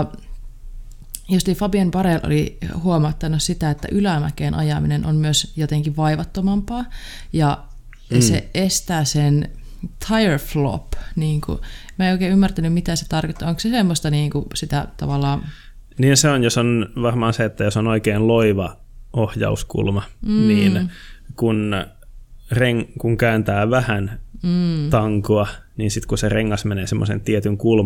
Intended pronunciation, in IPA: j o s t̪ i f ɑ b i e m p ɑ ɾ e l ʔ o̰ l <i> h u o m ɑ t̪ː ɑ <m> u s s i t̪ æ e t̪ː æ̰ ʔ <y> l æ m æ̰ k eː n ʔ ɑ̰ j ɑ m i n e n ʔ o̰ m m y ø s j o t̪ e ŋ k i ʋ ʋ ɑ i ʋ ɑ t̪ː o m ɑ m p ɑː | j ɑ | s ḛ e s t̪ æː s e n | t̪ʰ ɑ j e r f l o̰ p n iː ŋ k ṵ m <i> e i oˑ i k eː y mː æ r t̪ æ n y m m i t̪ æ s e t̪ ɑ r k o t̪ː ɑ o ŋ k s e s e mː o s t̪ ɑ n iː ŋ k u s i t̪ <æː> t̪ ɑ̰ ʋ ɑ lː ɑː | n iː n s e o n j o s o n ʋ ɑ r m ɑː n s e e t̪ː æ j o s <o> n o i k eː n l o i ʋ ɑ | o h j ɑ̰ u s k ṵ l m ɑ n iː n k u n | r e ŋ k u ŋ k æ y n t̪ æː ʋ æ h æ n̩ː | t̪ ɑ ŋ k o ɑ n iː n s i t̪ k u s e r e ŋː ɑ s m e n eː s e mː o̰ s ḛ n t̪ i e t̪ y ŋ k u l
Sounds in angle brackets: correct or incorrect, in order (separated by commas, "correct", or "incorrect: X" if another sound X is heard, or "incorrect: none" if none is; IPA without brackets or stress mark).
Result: correct, incorrect: n, correct, incorrect: æ, incorrect: æ, correct